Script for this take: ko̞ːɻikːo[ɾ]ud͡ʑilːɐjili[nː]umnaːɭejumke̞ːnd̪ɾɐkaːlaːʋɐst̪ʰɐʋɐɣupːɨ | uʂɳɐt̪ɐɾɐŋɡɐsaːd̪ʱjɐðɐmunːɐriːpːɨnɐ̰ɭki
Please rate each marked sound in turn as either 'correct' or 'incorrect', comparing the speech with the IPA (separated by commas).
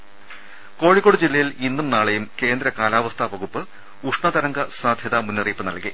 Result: incorrect, correct